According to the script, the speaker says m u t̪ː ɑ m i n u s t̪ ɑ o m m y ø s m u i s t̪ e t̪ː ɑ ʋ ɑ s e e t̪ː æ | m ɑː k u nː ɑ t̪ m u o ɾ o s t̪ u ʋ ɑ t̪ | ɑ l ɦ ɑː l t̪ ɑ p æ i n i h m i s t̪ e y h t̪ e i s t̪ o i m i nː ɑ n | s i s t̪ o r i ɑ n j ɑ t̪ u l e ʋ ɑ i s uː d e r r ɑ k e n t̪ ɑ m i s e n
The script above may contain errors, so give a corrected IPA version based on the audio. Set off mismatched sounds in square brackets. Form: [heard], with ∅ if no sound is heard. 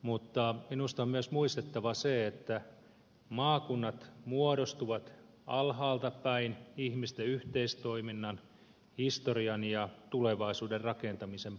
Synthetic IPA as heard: m u t̪ː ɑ m i n u s t̪ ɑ o m m y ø s m u i s t̪ e t̪ː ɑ ʋ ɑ s e e t̪ː æ | m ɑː k u nː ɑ t̪ m u o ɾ o s t̪ u ʋ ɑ t̪ | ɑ l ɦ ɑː l t̪ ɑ p æ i n i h m i s t̪ e y h t̪ e i s t̪ o i m i nː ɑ n | [h] i s t̪ o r i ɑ n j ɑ t̪ u l e ʋ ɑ i s uː d e r r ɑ k e n t̪ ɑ m i s e [m]

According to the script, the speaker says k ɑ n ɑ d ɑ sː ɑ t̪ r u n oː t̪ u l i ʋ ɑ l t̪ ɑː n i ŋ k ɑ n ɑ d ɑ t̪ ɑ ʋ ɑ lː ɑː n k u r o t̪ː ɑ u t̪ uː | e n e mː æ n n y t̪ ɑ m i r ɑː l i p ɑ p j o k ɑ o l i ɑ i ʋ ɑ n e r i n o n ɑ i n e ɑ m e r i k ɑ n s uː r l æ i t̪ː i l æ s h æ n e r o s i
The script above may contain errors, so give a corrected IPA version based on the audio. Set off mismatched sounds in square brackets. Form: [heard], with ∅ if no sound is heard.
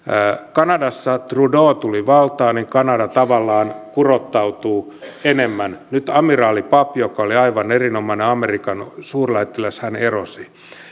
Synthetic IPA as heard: k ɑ n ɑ d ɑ sː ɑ t̪ r u [d] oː t̪ u l i ʋ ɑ l t̪ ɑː n i ŋ k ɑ n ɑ d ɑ t̪ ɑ ʋ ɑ lː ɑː n k u r o t̪ː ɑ u t̪ uː | e n e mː æ n n y t̪ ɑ m i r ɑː l i p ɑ p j o k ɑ o l i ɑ i ʋ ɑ n e r i n o [m] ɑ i n e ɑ m e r i k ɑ n s uː r l æ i t̪ː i l æ s h æ n e r o s i

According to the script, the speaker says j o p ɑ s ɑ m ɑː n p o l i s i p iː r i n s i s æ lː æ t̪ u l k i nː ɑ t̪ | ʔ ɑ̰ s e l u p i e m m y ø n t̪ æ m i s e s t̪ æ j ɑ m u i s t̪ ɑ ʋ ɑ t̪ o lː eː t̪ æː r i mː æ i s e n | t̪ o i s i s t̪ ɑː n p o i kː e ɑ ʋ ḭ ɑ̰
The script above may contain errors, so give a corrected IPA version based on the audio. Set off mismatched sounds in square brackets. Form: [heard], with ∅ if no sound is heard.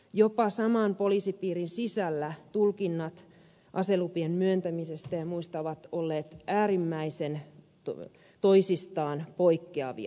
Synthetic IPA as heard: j o p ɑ s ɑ m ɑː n p o l i s i p iː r i n s i s æ lː æ t̪ u l k i nː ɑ t̪ | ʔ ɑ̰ s e l u p i e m m y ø n t̪ æ m i s e s t̪ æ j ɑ m u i s t̪ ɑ ʋ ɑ t̪ o lː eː t̪ æː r i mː æ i s e n | t̪ o i s i s t̪ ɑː n p o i kː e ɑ ʋ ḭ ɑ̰

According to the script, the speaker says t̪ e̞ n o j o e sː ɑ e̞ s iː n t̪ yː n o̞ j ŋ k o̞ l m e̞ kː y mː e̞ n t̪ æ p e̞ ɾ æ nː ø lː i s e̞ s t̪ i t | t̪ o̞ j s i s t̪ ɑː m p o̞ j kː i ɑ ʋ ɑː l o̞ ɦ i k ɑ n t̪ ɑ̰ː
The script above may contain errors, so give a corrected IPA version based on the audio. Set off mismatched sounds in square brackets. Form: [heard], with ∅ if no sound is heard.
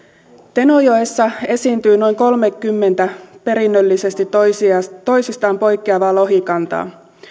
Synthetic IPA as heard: t̪ e̞ n o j o e sː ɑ e̞ s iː n t̪ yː n o̞ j ŋ k o̞ l m e̞ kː y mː e̞ n t̪ æ p e̞ ɾ [i] nː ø lː i s e̞ s t̪ i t | t̪ o̞ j s i s t̪ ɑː m p o̞ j kː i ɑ ʋ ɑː l o̞ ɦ i k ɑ n t̪ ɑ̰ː

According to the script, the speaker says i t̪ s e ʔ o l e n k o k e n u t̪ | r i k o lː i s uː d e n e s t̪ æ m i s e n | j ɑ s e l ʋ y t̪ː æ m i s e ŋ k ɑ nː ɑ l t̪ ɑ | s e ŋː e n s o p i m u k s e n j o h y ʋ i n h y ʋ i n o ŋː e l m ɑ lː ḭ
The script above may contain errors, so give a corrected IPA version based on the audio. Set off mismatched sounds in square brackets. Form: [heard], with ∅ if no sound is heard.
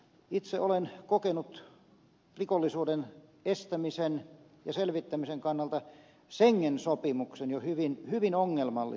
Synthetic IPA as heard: i t̪ s e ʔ o l e n k o k e n u t̪ | r i k o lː i s uː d e n e s t̪ æ m i s e n | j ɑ s e l ʋ [i] t̪ː æ m i s e ŋ k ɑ nː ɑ l t̪ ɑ | s e ŋː e n s o p i m u k s e n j o h y ʋ i n h y ʋ i n o ŋː e l m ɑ lː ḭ

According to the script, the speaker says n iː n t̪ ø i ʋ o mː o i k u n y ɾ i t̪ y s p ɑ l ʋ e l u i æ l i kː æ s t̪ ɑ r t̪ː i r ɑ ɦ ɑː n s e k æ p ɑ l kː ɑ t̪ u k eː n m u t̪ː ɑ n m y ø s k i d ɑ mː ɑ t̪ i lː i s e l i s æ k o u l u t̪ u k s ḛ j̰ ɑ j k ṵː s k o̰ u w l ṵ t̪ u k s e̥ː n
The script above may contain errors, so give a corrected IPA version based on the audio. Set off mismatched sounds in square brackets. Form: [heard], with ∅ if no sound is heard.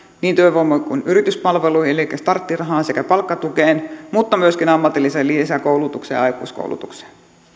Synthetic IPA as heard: n iː n t̪ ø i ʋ o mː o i k u n y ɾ i t̪ y s p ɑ l ʋ e l u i [e] l i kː æ s t̪ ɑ r t̪ː i r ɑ ɦ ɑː n s e k æ p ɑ l kː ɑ t̪ u k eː n m u t̪ː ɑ [∅] m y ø s k i [n] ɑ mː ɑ t̪ i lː i s e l i s æ k o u l u t̪ u k s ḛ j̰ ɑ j k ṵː s k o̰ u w l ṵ t̪ u k s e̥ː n

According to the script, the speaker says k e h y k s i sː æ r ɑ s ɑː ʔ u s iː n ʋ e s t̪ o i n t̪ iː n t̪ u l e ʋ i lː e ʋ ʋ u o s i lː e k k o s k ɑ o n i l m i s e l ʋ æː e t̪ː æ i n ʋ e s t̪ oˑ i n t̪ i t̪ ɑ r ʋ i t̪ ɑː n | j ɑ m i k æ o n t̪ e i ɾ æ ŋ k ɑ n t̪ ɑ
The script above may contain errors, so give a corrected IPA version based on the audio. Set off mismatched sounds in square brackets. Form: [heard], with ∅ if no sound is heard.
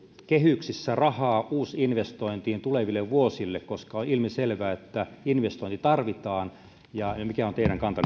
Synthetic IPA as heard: k e h y k s i sː æ r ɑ [h] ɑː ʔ [uː] s [i] n ʋ e s t̪ o i n t̪ iː n t̪ u l e ʋ i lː e ʋ ʋ u o s i lː e k k o s k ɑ o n i l m i s e l ʋ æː e t̪ː æ i n ʋ e s t̪ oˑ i n t̪ i t̪ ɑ r ʋ i t̪ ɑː n | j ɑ m i k æ o n t̪ e i ɾ æ ŋ k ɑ n t̪ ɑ

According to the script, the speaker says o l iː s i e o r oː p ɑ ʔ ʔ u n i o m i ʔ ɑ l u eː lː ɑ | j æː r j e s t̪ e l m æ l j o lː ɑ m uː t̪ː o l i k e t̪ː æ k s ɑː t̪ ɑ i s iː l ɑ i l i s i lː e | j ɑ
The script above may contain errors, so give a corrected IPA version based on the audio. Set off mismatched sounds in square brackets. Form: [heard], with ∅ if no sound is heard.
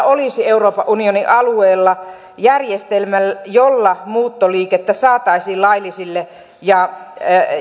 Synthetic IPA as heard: o l [i] s i e [u] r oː p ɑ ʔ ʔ u n i o [n] i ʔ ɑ l u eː lː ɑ | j [æ] r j e s t̪ e l m æ l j o lː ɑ m uː t̪ː o l [iː] k e t̪ː æ [∅] s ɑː t̪ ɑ i s iː l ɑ i l i s i lː e | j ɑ

